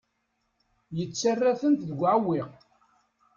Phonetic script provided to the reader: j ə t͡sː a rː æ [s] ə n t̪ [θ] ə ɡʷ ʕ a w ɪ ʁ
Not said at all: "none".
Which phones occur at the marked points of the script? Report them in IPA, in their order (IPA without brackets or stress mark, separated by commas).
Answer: θ, ð